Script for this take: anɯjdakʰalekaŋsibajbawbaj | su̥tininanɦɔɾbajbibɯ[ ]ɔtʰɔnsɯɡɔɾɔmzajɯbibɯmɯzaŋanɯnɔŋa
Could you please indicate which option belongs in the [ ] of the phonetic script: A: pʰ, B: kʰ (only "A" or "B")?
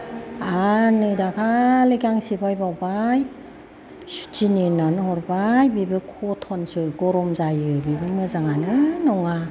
B